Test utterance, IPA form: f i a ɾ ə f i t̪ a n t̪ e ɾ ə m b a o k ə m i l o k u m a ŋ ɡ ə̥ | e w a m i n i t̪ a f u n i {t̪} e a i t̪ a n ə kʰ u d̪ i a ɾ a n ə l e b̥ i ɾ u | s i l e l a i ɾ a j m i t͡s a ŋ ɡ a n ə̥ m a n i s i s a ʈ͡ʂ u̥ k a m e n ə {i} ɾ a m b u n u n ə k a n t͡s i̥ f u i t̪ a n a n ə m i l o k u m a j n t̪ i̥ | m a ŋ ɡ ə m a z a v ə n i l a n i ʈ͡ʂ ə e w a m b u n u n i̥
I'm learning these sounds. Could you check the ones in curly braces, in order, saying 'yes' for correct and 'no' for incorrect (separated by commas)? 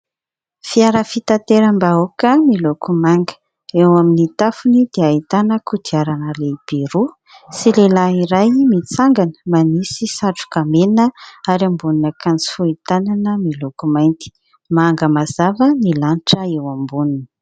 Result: no, no